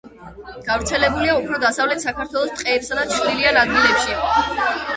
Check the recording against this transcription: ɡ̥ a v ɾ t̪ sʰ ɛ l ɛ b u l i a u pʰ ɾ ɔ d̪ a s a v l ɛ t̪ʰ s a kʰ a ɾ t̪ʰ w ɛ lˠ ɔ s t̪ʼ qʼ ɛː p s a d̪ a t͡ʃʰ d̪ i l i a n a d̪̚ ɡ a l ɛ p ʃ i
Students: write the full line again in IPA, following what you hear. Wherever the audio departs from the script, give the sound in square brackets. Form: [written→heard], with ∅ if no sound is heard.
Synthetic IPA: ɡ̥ a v ɾ t̪ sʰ ɛ l ɛ b u l i a u pʰ ɾ ɔ d̪ a s a v l ɛ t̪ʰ s a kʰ a ɾ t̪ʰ w ɛ lˠ ɔ s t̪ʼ qʼ ɛː p s a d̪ a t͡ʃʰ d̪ i l i a n a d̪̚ ɡ [a→i] l ɛ p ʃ i